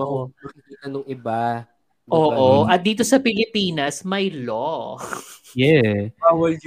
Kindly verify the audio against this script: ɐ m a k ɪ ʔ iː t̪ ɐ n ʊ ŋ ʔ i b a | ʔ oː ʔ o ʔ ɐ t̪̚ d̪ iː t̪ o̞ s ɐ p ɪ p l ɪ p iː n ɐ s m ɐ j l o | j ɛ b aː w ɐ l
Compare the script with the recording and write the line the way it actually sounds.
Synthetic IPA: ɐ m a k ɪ k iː t̪ ɐ n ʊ ŋ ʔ ɪ b a | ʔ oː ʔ o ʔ ɐ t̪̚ d̪ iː t̪ o̞ s ɐ p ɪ l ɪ p iː n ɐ s m ɐ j l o | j ɛ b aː w ɐ l